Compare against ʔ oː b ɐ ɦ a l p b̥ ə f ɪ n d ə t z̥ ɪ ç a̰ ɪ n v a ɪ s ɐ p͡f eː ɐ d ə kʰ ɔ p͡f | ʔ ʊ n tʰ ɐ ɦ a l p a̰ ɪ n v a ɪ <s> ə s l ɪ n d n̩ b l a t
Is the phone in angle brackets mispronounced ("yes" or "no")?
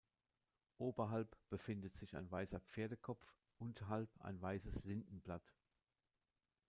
no